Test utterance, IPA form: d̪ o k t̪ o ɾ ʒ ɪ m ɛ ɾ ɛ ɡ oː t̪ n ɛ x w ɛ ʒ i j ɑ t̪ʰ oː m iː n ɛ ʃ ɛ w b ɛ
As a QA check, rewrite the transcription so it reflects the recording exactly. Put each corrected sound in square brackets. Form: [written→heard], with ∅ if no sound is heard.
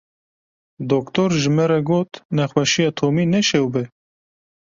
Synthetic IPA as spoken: d̪ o k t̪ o ɾ ʒ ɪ m ɛ ɾ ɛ ɡ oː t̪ n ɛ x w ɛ [ʒ→ʃ] i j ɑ t̪ʰ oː m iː n ɛ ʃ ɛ w b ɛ

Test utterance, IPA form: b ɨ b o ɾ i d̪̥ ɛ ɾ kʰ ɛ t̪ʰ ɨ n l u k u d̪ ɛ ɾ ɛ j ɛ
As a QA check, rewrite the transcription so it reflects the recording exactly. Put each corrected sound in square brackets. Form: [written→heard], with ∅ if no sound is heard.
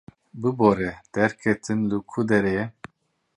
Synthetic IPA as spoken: b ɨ b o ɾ [i→ɛ] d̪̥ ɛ ɾ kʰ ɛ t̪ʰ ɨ n l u [k→kʰ] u d̪ ɛ ɾ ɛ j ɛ

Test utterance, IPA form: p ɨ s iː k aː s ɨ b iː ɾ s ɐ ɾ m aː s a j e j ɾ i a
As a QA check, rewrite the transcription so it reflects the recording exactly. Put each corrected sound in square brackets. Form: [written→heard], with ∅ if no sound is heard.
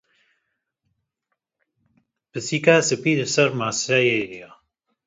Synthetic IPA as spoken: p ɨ s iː k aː s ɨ [b→p] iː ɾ s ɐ ɾ m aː s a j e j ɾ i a

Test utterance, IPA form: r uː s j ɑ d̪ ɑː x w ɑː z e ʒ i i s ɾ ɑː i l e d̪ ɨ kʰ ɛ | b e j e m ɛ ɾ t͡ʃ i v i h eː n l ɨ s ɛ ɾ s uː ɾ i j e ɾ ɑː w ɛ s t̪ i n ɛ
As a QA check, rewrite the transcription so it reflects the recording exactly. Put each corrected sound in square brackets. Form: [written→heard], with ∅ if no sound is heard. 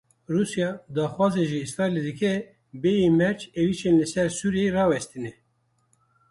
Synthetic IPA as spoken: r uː s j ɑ d̪ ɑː x w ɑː z e ʒ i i s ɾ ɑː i l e d̪ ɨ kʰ ɛ | b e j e m ɛ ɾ t͡ʃ [i→e] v i [h→ʃ] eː n l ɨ s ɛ ɾ s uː ɾ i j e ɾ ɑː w ɛ s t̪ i n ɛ

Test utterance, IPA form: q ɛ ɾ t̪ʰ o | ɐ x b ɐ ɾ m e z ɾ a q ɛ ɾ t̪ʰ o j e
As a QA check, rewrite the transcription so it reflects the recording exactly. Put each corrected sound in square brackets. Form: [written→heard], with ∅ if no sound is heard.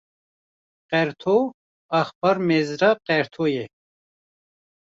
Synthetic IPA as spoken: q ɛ ɾ t̪ʰ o | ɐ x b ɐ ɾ m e z ɾ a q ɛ ɾ t̪ʰ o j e

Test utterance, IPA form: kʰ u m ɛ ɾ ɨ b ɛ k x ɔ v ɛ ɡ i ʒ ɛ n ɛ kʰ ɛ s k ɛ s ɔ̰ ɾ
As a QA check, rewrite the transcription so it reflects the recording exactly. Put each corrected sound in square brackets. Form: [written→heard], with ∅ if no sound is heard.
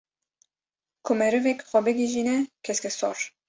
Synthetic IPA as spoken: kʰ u m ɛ ɾ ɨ [b→v] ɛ k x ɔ [v→b] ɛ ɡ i ʒ [ɛ→i] n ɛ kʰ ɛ s k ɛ s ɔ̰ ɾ

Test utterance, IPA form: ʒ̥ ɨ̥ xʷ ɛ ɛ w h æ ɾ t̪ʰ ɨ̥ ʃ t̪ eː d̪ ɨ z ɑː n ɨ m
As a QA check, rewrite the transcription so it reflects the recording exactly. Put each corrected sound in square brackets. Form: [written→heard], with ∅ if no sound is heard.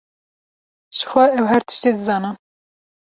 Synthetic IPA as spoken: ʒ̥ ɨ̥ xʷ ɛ ɛ w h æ ɾ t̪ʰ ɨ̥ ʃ t̪ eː d̪ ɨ z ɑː n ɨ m

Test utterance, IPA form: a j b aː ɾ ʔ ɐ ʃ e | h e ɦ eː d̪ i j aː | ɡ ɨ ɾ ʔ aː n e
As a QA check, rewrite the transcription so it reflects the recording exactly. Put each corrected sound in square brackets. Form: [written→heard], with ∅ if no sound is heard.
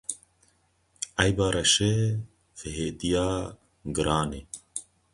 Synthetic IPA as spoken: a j b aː ɾ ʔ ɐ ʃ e | [h→f] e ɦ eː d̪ i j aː | ɡ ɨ ɾ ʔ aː n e

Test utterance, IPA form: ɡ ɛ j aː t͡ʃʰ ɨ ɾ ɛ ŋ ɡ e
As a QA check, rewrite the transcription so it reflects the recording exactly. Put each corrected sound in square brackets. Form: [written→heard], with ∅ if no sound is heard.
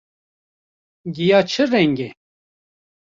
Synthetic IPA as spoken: ɡ [ɛ→i] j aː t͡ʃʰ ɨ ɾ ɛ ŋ ɡ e

